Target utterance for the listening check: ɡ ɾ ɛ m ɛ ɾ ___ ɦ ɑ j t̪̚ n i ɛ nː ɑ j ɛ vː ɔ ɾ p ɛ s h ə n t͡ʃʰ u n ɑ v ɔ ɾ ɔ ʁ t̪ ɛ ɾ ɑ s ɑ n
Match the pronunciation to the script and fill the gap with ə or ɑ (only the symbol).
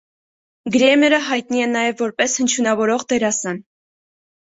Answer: ə